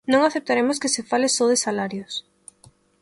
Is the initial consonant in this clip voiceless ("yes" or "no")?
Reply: no